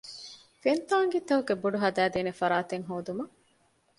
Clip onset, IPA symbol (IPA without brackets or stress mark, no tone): f